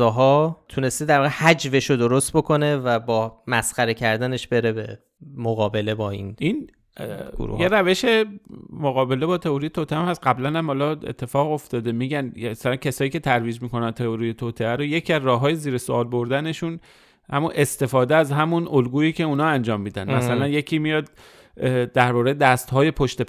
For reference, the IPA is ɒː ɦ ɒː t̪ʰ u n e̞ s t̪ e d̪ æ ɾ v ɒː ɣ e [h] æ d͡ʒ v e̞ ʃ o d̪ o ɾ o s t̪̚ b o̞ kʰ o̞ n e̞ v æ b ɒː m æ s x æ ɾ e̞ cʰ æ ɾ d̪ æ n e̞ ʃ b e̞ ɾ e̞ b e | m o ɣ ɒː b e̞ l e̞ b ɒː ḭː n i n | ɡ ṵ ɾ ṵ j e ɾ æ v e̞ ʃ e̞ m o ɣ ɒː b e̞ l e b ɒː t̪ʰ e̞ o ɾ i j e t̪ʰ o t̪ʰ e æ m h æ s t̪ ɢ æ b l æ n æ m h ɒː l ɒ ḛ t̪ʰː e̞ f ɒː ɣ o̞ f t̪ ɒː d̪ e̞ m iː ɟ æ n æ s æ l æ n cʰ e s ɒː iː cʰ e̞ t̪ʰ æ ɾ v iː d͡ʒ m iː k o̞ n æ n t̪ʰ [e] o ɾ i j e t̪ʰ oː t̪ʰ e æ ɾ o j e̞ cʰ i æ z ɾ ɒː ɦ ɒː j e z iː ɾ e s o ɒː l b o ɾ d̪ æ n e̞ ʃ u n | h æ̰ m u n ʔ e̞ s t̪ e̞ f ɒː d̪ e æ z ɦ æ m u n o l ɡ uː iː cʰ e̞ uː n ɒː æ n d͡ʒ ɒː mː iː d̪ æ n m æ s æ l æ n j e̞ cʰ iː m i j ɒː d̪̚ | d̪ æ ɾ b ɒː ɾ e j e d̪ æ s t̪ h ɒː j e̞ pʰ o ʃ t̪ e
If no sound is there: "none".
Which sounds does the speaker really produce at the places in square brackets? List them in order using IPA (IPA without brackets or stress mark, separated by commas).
h, e